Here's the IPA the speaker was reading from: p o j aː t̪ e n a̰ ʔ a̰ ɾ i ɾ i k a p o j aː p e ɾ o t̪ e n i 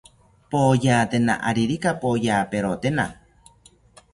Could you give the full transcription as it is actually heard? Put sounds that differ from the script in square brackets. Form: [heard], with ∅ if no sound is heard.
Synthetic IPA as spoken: p o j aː t̪ e n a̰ ʔ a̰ ɾ i ɾ i k a p o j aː p e ɾ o t̪ e n [a]